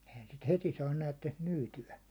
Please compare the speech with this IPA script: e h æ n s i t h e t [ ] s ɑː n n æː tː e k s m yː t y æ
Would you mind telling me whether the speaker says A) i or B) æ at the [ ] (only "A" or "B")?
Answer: A